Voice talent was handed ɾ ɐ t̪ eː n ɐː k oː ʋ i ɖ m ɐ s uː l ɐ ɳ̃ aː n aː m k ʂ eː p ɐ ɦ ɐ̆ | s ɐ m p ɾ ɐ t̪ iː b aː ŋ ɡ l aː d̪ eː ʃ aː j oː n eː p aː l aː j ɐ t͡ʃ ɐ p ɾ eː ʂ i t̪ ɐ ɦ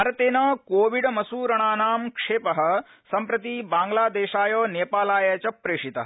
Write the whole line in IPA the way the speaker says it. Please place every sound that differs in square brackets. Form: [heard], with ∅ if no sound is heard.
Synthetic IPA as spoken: ɾ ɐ t̪ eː n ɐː k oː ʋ i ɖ m ɐ s uː [ɾ] ɐ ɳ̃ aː n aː m k ʂ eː p ɐ ɦ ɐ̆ | s ɐ m p ɾ ɐ t̪ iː b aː ŋ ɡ l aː d̪ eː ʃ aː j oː n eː p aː l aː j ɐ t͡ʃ ɐ p ɾ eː ʂ i t̪ ɐ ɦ

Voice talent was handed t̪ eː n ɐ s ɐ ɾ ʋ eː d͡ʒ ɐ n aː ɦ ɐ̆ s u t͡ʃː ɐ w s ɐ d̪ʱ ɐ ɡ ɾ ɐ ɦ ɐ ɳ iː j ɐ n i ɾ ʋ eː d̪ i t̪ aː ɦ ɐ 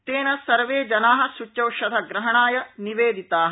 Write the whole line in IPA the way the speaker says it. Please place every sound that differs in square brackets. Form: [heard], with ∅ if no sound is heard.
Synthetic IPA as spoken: t̪ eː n ɐ s ɐ ɾ ʋ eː d͡ʒ ɐ n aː ɦ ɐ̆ s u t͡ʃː ɐ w [ʃ] ɐ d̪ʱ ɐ ɡ ɾ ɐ ɦ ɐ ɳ [aː] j ɐ n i [∅] ʋ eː d̪ i t̪ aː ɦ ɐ

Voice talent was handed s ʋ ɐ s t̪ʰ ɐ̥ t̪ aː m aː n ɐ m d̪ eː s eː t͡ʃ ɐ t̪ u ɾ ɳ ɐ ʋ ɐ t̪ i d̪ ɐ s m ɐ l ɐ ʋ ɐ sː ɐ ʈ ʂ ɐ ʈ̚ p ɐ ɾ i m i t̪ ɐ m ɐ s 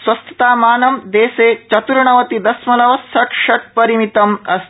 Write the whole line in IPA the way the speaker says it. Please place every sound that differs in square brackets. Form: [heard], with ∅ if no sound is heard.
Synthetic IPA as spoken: s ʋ ɐ s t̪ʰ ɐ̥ t̪ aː m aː n ɐ m d̪ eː s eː t͡ʃ ɐ t̪ u ɾ ɳ ɐ ʋ ɐ t̪ i d̪ ɐ s m ɐ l ɐ ʋ ɐ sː ɐ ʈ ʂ ɐ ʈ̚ p ɐ ɾ i m i t̪ ɐ m ɐ s

